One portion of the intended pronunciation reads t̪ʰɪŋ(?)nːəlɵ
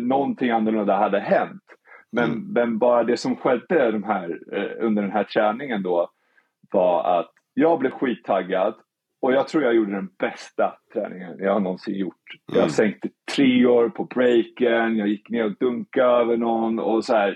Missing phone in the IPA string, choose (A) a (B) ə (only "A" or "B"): A